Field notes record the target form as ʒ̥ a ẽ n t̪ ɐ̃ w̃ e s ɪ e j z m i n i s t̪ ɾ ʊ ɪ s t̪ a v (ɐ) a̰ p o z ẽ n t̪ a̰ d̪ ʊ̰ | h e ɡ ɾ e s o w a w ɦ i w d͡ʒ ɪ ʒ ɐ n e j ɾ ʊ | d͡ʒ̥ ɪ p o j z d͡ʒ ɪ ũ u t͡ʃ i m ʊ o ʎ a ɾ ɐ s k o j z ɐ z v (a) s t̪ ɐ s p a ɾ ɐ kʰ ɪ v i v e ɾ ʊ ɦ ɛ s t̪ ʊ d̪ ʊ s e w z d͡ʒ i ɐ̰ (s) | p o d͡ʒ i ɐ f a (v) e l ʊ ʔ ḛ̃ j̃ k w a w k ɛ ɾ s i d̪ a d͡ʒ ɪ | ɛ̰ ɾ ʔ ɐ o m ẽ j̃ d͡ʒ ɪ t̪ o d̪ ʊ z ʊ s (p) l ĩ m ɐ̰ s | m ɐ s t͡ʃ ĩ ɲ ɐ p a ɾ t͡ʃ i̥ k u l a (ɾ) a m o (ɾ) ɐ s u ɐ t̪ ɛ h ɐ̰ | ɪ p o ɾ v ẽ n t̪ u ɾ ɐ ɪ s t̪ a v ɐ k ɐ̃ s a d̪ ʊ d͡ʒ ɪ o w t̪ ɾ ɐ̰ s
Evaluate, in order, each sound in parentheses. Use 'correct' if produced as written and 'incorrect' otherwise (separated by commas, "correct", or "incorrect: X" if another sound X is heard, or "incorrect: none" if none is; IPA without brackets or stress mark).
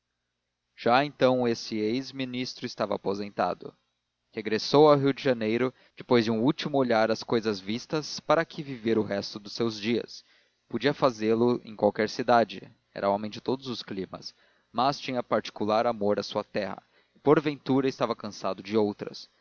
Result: correct, incorrect: i, correct, incorrect: z, incorrect: k, correct, correct